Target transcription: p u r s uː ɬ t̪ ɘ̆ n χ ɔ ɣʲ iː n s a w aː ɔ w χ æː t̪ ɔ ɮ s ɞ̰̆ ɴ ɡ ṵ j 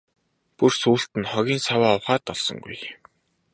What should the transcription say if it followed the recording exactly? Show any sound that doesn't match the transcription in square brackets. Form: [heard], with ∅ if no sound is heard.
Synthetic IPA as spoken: p u r s uː ɬ t̪ ɘ̆ n χ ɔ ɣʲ iː n s a w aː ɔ w χ [aː] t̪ ɔ ɮ s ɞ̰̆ [ŋ] ɡ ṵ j